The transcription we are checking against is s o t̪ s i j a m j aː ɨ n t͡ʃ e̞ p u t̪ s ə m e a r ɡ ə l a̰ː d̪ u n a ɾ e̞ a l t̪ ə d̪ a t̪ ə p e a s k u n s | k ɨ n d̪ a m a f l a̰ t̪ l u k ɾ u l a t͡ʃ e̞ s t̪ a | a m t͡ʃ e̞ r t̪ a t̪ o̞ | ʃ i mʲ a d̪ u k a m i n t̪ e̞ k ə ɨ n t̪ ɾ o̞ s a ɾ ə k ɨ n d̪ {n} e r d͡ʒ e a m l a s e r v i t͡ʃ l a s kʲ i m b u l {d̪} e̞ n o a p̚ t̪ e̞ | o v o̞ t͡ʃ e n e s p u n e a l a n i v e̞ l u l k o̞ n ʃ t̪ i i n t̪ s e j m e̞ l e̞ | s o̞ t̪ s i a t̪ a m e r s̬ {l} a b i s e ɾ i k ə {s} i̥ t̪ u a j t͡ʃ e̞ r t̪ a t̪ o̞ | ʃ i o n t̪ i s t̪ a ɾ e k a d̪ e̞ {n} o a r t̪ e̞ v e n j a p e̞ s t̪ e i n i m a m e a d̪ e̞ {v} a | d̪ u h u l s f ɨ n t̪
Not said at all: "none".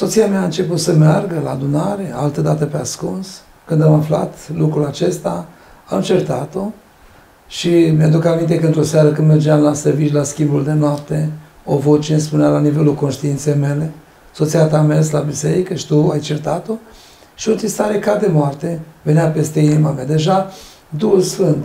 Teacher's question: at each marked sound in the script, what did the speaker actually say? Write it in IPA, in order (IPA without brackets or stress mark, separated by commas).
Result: m, d̪, l, ʃ, m, ʒ